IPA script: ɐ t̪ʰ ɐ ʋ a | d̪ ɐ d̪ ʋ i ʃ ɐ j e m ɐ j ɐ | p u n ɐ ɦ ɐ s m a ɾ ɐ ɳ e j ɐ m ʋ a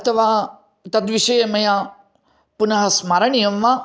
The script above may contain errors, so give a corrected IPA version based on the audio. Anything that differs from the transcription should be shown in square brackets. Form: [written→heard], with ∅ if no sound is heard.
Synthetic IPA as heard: ɐ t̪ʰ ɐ ʋ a | [d̪→t̪] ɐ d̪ ʋ i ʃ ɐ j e m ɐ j [ɐ→a] | p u n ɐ ɦ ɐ s m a ɾ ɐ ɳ [e→i] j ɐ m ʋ a